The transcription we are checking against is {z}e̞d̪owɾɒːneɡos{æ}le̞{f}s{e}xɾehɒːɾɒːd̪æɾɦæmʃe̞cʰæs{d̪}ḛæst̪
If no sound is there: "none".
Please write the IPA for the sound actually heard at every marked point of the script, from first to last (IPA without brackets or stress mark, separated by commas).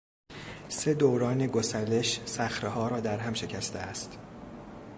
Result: s, æ, ʃ, æ, t̪